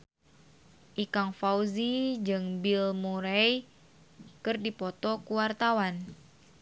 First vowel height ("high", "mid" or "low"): high